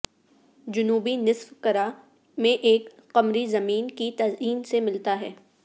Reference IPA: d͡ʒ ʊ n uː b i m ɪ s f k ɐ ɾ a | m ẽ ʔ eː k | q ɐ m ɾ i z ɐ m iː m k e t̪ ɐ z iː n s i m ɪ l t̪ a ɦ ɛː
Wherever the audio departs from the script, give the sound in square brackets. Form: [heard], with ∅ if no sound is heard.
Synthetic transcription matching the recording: d͡ʒ ʊ n uː b i [n] ɪ s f k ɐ ɾ a | m ẽ ʔ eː k | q ɐ m ɾ i z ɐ m iː [n] k [i] t̪ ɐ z iː n s [e] m ɪ l t̪ a ɦ ɛː